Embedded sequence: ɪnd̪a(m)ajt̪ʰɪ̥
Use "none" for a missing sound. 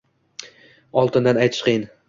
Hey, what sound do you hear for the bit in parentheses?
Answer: n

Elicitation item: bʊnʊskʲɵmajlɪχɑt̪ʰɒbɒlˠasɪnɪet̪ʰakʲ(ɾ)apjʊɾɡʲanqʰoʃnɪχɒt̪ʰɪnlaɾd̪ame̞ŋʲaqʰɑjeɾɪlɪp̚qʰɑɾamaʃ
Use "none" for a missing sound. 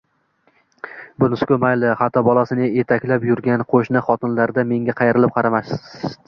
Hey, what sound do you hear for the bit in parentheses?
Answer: l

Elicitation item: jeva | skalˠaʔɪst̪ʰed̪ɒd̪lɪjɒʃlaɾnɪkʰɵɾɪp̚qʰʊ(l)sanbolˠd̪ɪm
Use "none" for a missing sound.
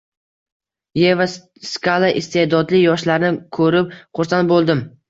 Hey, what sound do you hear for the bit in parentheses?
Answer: ɾ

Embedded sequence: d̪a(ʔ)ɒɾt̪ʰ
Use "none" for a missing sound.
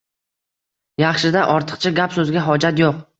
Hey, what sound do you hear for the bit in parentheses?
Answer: ʔ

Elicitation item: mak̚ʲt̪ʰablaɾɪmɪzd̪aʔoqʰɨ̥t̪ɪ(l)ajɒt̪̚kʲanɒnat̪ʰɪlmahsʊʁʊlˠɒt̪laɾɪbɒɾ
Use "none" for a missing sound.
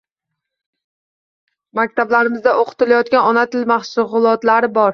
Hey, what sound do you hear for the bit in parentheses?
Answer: l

